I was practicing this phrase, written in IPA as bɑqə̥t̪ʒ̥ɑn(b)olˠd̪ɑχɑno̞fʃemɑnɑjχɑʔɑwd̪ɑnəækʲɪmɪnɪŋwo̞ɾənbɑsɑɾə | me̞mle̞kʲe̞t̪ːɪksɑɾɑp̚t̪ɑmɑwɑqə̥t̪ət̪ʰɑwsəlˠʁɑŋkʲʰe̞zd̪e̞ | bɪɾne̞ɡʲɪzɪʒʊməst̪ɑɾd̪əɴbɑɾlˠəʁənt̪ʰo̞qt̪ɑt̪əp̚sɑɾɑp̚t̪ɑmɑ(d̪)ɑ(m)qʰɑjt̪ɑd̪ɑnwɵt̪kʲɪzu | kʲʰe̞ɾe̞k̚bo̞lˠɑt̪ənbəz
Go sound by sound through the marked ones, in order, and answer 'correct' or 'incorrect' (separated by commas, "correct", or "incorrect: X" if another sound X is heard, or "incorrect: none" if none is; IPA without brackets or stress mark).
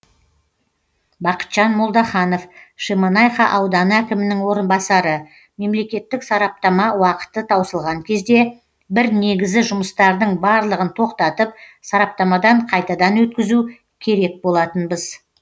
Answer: incorrect: m, correct, incorrect: ɴ